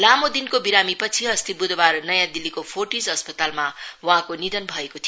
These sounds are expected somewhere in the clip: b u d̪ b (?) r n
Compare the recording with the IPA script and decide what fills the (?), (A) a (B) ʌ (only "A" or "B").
A